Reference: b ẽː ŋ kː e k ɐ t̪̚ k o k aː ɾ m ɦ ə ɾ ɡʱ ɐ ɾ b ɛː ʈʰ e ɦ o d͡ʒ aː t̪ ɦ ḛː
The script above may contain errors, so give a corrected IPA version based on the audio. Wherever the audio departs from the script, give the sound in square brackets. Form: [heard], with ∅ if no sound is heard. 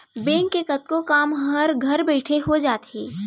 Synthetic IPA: b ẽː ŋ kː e k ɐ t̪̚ k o k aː [∅] m ɦ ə ɾ ɡʱ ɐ ɾ b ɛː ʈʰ e ɦ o d͡ʒ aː t̪ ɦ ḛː

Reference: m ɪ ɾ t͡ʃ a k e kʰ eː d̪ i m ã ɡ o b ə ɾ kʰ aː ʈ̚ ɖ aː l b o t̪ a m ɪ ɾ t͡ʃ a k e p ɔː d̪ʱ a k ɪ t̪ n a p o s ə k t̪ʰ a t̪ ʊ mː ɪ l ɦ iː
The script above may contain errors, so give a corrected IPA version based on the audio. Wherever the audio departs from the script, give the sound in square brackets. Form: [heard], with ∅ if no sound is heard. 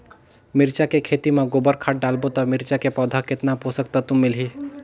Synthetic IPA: m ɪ ɾ t͡ʃ a k e kʰ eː [t̪] i m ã ɡ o b ə ɾ kʰ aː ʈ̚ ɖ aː l b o t̪ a m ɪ ɾ t͡ʃ a k e p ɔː d̪ʱ a k ɪ t̪ n a p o s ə k [t̪] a t̪ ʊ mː ɪ l ɦ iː

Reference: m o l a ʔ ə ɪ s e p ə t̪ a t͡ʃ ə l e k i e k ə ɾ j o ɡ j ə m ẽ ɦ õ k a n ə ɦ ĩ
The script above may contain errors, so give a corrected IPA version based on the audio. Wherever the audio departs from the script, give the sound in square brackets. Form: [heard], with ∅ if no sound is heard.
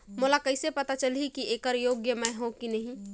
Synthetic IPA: m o l a [k] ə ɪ s e p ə t̪ a t͡ʃ ə l [i] k i e k ə ɾ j o ɡ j ə m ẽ ɦ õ k [i] n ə ɦ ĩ

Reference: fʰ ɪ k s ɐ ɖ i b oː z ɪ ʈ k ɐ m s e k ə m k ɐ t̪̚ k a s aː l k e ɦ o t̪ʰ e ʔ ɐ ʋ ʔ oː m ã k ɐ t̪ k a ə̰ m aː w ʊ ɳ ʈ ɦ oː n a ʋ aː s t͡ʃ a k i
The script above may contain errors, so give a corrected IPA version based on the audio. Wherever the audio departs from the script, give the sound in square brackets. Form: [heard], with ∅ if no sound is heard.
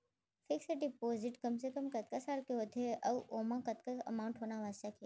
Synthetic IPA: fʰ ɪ k s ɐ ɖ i [p] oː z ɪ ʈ k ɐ m s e k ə m k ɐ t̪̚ k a s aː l k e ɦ o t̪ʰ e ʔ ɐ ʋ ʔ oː m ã k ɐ t̪ k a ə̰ m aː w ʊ ɳ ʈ ɦ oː n a ʋ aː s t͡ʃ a k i

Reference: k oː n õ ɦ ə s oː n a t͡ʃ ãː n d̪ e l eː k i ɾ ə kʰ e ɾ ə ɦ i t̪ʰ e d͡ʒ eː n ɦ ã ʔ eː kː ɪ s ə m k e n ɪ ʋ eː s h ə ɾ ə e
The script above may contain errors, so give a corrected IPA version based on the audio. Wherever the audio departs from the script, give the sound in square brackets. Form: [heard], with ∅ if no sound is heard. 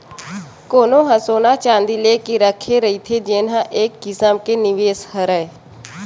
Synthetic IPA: k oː n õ ɦ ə s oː n a t͡ʃ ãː n d̪ [i] l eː k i ɾ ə kʰ e ɾ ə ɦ i t̪ʰ e d͡ʒ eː n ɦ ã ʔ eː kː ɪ s ə m k e n ɪ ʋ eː s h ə ɾ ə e

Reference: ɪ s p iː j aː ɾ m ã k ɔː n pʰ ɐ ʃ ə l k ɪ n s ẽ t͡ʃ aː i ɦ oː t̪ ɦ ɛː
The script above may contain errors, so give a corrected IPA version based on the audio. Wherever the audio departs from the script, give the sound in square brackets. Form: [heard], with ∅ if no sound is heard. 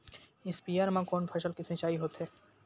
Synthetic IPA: ɪ s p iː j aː ɾ m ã k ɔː n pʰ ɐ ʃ ə l k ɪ [∅] s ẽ t͡ʃ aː i ɦ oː t̪ ɦ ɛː

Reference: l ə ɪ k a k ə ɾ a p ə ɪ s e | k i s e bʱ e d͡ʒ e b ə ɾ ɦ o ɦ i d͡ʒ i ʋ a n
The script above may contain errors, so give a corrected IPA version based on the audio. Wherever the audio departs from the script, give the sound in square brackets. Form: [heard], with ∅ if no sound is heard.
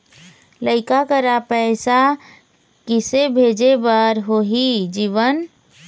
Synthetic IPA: l ə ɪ k a k ə ɾ a p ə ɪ s [a] | k i s e bʱ e d͡ʒ e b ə ɾ ɦ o ɦ i d͡ʒ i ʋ [ə] n

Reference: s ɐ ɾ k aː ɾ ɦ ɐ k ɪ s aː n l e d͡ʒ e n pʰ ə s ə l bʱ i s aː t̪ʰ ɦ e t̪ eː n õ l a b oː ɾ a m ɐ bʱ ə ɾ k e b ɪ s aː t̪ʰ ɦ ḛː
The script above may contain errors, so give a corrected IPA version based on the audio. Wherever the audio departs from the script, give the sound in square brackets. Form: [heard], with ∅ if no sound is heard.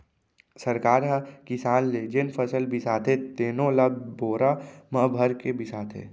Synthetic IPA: s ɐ ɾ k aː ɾ ɦ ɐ k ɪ s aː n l e d͡ʒ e n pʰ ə s ə l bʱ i s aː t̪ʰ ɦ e t̪ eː n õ l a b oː ɾ a m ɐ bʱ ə ɾ k e b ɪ s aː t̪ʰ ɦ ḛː

